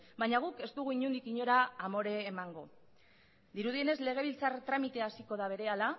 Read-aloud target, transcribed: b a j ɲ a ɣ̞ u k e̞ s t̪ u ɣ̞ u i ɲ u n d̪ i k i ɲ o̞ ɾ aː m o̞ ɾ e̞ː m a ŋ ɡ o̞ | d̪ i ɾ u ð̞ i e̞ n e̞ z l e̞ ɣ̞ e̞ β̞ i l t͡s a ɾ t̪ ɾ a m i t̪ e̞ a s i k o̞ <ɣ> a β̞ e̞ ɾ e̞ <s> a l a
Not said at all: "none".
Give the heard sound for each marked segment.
ð, none

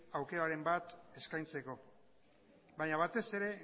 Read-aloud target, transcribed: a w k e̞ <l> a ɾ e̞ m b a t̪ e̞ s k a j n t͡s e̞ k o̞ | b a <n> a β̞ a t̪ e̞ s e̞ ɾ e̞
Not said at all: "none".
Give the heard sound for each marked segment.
ɾ, ɲ

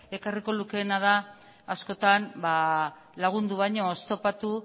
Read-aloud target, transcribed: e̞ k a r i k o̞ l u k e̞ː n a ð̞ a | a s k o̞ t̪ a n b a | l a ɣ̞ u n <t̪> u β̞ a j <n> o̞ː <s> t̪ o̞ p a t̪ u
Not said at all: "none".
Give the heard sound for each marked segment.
d̪, ɲ, s

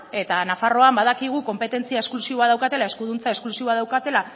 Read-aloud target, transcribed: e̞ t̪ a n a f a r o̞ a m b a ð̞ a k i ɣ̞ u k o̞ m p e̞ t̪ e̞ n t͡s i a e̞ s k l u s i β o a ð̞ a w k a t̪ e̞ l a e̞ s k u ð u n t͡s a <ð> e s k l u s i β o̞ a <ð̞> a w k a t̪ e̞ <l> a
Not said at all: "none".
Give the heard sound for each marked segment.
none, ð̞, l

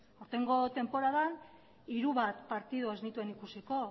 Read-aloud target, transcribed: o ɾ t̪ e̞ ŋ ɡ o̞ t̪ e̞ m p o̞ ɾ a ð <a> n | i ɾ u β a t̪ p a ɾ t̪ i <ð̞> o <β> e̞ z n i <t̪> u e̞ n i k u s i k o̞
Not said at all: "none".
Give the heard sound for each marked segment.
a, ð̞, none, t̪

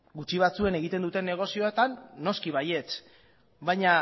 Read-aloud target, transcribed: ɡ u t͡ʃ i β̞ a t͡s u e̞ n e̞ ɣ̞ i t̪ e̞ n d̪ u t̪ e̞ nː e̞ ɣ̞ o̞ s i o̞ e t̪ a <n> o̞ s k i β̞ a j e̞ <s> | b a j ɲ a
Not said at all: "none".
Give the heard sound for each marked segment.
nː, t͡s

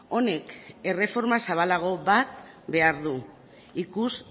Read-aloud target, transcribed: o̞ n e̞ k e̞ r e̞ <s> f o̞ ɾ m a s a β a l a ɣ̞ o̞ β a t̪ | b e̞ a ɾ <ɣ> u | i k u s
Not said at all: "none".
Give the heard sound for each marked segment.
none, ð

